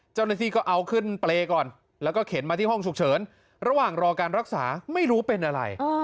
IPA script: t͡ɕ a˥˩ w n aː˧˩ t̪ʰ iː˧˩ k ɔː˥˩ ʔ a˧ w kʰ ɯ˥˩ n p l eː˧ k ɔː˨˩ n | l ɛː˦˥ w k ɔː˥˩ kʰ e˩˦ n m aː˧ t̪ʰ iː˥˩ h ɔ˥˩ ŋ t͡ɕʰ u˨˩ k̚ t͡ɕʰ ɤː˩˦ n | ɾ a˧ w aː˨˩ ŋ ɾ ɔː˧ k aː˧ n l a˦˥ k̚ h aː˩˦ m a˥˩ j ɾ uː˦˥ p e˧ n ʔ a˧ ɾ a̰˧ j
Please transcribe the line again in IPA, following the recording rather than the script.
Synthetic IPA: t͡ɕ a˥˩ w n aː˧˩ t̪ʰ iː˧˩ k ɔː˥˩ ʔ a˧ w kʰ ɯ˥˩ n p l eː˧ k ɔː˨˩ n | l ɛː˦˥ w k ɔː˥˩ kʰ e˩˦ n m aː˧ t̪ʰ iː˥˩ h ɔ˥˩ ŋ t͡ɕʰ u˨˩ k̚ t͡ɕʰ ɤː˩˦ n | ɾ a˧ w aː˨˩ ŋ ɾ ɔː˧ k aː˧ n ɾ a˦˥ k̚ s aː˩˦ m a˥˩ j ɾ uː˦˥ p e˧ n ʔ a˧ ɾ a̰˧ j